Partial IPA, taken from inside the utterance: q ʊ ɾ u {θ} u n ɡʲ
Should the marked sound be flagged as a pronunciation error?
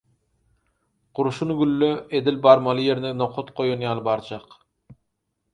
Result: yes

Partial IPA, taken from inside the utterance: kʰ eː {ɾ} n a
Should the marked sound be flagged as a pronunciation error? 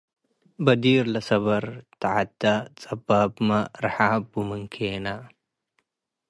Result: yes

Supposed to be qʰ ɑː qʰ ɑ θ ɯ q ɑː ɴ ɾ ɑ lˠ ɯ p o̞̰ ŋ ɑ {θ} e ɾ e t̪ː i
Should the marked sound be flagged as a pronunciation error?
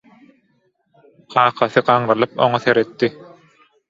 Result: no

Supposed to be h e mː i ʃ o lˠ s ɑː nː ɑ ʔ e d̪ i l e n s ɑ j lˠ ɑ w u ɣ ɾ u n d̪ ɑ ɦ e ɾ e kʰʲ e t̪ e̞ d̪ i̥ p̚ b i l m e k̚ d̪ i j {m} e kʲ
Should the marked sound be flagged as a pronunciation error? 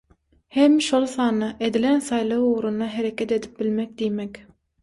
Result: no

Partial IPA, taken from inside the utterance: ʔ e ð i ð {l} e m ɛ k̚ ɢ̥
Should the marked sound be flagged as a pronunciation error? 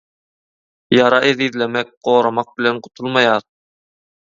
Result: no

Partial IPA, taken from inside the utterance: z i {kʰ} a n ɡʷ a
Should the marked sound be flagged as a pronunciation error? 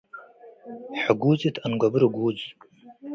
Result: yes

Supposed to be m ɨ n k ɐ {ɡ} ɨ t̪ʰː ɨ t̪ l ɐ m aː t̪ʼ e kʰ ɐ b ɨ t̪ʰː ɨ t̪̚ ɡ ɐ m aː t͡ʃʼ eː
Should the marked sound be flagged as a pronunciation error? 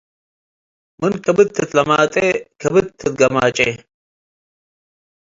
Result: yes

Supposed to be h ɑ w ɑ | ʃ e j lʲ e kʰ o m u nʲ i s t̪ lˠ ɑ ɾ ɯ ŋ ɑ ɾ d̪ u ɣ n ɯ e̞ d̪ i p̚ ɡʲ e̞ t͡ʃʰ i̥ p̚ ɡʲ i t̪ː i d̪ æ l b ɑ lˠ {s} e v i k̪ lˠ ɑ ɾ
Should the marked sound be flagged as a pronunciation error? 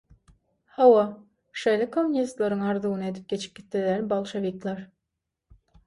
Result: yes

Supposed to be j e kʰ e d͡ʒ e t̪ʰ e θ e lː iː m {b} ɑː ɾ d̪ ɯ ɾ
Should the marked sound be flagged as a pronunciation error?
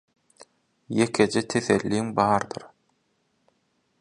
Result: no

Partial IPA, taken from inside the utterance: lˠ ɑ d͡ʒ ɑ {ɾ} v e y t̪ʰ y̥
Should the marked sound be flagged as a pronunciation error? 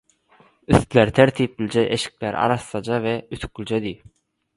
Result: yes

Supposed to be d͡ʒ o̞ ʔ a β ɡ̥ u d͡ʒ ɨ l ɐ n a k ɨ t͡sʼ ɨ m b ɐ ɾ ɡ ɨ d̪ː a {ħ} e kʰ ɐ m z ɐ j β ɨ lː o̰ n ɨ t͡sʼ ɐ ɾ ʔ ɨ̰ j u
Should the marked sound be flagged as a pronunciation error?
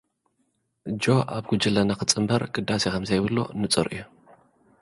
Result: yes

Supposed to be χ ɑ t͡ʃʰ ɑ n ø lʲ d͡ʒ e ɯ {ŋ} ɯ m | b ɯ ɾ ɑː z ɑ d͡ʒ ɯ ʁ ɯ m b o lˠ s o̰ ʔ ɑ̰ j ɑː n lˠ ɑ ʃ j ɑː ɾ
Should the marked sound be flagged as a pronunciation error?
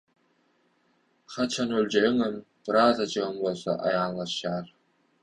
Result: no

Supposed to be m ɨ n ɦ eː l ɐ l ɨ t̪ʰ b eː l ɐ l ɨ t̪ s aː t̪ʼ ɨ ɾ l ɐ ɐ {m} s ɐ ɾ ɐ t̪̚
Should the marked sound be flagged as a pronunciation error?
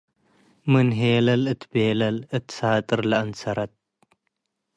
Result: yes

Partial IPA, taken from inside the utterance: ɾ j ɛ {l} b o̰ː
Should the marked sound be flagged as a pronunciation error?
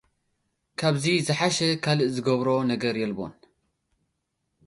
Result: no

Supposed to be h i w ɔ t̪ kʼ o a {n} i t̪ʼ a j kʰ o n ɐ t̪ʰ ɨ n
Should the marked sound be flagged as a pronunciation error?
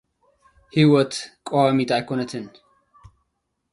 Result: yes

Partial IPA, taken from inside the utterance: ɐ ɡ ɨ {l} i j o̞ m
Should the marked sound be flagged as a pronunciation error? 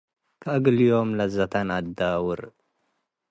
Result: no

